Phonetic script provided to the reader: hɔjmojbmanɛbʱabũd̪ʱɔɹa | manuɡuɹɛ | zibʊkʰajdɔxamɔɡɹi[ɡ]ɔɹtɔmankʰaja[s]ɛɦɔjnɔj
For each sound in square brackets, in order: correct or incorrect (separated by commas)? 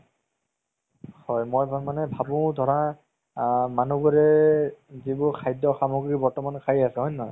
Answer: incorrect, correct